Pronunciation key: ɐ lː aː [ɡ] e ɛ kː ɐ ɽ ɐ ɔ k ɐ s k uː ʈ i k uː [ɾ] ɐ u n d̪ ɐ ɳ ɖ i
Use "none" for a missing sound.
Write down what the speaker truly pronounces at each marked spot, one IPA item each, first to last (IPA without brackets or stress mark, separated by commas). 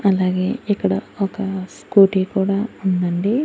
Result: ɡ, ɽ